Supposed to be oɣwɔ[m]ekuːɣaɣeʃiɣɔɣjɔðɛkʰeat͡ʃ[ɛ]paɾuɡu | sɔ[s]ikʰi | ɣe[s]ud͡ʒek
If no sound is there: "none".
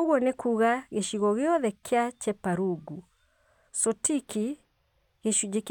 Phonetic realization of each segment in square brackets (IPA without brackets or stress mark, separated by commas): n, ɛ, t, ʃ